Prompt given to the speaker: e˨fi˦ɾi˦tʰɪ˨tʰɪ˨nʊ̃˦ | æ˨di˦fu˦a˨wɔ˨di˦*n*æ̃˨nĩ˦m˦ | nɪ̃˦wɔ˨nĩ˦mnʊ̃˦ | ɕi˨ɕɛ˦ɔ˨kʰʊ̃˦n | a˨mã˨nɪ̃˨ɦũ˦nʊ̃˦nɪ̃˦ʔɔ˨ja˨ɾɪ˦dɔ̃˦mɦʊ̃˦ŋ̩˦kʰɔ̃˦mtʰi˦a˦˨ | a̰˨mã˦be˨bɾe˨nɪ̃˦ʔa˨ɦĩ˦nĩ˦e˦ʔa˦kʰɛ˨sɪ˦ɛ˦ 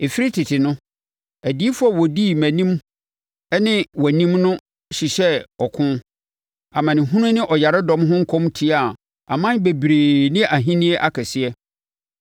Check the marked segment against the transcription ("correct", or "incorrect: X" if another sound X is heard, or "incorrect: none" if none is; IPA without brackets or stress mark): incorrect: m